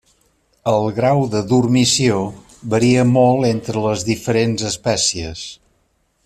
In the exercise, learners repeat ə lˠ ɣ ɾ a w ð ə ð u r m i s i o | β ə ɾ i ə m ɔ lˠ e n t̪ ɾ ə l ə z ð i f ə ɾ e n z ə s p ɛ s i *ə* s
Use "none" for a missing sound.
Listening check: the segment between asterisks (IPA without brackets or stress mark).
ə